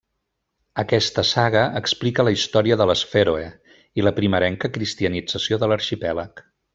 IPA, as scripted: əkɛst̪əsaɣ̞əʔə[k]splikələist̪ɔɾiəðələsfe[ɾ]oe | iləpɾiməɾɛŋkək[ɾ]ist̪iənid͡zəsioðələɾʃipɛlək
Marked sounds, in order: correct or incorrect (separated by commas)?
correct, correct, correct